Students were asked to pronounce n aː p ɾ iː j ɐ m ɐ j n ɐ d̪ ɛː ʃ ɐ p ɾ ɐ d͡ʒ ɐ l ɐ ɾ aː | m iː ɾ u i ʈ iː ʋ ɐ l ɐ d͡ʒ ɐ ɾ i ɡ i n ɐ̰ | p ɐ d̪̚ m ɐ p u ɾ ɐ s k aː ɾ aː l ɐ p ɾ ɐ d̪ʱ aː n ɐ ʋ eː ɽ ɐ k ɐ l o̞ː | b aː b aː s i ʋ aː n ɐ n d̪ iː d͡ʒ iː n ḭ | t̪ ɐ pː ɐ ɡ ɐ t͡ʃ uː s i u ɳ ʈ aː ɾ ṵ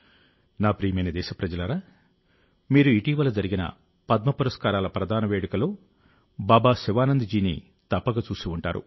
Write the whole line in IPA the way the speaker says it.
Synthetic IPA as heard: n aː p ɾ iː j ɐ m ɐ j n ɐ d̪ ɛː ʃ ɐ p ɾ ɐ d͡ʒ ɐ l ɐ ɾ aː | m iː ɾ u i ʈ iː ʋ ɐ l ɐ d͡ʒ ɐ ɾ i ɡ i n ɐ̰ | p ɐ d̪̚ m ɐ p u ɾ ɐ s k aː ɾ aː l ɐ p ɾ ɐ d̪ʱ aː n ɐ ʋ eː ɽ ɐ k ɐ l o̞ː | b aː b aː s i ʋ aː n ɐ n d̪ i d͡ʒ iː n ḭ | t̪ ɐ pː ɐ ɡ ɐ t͡ʃ uː s i u ɳ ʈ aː ɾ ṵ